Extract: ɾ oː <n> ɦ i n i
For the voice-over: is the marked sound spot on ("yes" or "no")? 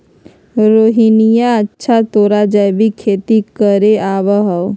no